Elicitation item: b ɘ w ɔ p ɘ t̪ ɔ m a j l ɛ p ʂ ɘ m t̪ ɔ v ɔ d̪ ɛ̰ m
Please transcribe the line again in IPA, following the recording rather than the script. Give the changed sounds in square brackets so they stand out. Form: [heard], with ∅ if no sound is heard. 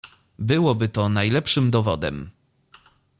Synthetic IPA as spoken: b ɘ w ɔ [b] ɘ t̪ ɔ [n] a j l ɛ p ʂ ɘ m [d̪] ɔ v ɔ d̪ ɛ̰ m